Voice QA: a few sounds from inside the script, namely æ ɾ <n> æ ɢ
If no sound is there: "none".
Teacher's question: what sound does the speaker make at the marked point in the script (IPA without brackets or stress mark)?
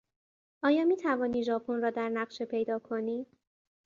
n